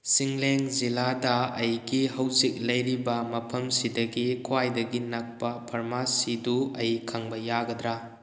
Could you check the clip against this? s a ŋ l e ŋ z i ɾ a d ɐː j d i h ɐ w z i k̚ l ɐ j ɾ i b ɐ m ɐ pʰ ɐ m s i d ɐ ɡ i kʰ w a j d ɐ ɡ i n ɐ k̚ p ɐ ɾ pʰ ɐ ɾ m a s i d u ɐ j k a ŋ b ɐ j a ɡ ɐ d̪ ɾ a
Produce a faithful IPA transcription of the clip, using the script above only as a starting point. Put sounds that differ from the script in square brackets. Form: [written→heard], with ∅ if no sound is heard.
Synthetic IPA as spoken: s [a→i] ŋ l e ŋ z i [ɾ→l] a d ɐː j [d→ɡ] i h ɐ w z i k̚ l ɐ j ɾ i b ɐ m ɐ pʰ ɐ m s i d ɐ ɡ i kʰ w a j d ɐ ɡ i n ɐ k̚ p ɐ [ɾ→∅] pʰ ɐ ɾ m a s i d u ɐ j [k→kʰ] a ŋ b ɐ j a ɡ ɐ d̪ ɾ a